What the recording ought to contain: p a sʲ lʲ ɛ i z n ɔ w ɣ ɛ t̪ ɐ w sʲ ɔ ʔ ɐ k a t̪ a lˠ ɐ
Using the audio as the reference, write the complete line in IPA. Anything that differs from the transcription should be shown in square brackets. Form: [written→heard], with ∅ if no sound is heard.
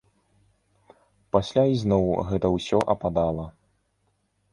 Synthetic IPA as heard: p a sʲ lʲ [ɛ→a] i z n ɔ w ɣ ɛ t̪ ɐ w sʲ ɔ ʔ ɐ [k→p] a [t̪→d̪] a lˠ ɐ